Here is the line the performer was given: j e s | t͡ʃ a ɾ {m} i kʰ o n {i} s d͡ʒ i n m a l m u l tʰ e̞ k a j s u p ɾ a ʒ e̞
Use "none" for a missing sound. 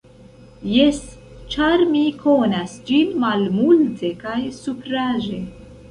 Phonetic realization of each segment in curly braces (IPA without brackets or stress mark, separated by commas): m, a